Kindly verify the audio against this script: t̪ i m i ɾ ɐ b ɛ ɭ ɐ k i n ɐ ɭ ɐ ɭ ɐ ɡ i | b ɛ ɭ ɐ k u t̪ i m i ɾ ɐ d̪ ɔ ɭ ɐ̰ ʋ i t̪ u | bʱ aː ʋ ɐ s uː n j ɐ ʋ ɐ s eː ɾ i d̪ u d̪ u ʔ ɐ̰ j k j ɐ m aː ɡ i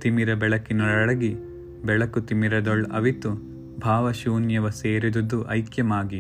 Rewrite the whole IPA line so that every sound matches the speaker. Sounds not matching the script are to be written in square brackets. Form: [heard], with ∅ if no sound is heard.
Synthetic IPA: t̪ i m i ɾ ɐ b ɛ ɭ ɐ k i n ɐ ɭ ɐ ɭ ɐ ɡ i | b ɛ ɭ ɐ k u t̪ i m i ɾ ɐ d̪ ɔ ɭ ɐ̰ ʋ i t̪ u | bʱ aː ʋ ɐ [ʃ] uː n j ɐ ʋ ɐ s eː ɾ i d̪ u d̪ u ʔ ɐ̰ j k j ɐ m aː ɡ i